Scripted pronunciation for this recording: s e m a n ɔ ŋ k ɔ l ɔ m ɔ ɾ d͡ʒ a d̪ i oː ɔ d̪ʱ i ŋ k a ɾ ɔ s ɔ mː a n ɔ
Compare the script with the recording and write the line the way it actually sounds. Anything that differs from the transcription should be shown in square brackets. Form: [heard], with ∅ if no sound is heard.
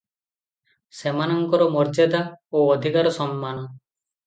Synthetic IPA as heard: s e m a n ɔ ŋ k ɔ [ɾ] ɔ m ɔ ɾ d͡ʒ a d̪ [a] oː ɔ d̪ʱ i [∅] k a ɾ ɔ s ɔ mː a n ɔ

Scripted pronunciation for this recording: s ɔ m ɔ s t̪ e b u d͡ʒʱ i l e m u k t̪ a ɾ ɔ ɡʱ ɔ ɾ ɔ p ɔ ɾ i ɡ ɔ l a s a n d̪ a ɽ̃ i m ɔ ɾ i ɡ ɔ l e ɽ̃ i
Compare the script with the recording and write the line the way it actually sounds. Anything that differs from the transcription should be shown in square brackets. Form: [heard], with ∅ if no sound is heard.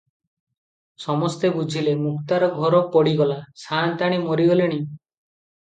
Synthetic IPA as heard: s ɔ m ɔ s t̪ e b u d͡ʒʱ i l e m u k t̪ a ɾ ɔ ɡʱ ɔ ɾ ɔ p ɔ [ɽ] i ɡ ɔ l a s a n [t̪] a ɽ̃ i m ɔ ɾ i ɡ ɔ l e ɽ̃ i

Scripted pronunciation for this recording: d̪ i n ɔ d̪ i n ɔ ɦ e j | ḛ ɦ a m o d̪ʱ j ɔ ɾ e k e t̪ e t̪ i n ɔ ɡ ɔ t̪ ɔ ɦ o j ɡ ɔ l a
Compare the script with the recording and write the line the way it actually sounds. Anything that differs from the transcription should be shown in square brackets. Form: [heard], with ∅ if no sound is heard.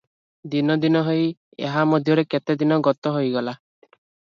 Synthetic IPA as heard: d̪ i n ɔ d̪ i n ɔ ɦ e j | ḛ ɦ a m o d̪ʱ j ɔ ɾ e k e t̪ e [d̪] i n ɔ ɡ ɔ t̪ ɔ ɦ o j ɡ ɔ l a

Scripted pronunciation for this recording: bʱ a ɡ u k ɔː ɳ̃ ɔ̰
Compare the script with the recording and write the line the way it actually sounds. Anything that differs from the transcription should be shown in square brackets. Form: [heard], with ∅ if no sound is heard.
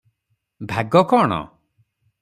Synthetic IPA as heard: bʱ a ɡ [ɔ] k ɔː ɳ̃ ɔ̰

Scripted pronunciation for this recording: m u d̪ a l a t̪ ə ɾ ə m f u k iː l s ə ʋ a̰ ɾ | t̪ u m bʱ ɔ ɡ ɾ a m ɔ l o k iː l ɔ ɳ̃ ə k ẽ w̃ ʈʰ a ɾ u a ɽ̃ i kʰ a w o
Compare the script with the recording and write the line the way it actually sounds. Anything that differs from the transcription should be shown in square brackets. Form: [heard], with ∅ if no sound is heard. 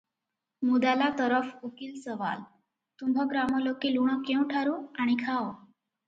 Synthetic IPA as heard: m u d̪ a l a t̪ ə ɾ ə [∅] f u k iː l s ə ʋ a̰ [l] | t̪ u m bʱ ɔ ɡ ɾ a m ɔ l o k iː l [u] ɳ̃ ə k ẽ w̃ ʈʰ a ɾ u a ɽ̃ i kʰ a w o

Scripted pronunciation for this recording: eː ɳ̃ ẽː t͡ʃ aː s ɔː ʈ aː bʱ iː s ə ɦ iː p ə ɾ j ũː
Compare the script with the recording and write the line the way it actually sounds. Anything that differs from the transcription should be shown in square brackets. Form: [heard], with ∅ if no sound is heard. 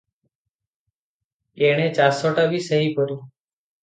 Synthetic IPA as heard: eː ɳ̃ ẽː t͡ʃ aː s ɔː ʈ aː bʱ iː s ə ɦ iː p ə ɾ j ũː

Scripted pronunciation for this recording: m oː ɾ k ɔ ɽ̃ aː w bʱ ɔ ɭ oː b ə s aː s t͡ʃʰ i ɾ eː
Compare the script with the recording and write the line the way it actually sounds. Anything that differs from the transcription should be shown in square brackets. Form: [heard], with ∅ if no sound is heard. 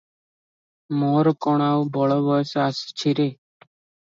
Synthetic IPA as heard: m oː ɾ k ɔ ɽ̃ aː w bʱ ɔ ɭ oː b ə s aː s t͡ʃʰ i ɾ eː

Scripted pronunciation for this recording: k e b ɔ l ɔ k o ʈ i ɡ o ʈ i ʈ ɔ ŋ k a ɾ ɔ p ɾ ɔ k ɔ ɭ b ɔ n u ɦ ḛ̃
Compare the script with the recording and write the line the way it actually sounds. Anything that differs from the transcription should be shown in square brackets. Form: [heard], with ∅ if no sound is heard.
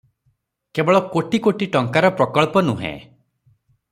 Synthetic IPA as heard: k e b ɔ [ɭ] ɔ k o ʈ i [k] o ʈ i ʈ ɔ ŋ k a ɾ ɔ p ɾ ɔ k ɔ ɭ [p] ɔ n u ɦ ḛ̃

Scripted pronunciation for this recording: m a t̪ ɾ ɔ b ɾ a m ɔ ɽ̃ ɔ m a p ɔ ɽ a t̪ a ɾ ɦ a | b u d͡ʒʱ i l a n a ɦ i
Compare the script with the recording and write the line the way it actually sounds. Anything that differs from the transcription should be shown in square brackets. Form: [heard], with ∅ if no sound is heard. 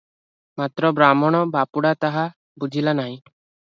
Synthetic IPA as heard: m a t̪ ɾ ɔ b ɾ a m ɔ ɽ̃ ɔ [b] a p [u] ɽ a t̪ a [∅] ɦ a | b u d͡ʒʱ i l a n a ɦ [ĩ]

